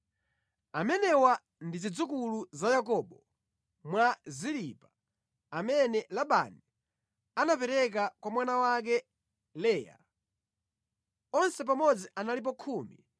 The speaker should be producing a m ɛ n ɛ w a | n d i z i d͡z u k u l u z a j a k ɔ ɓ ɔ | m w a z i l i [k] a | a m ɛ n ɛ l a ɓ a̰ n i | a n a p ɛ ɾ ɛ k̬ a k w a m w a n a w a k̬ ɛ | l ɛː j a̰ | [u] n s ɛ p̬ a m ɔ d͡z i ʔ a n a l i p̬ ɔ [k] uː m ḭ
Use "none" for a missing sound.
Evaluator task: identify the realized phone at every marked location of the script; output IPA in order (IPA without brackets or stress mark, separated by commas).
p, ɔ, kʰ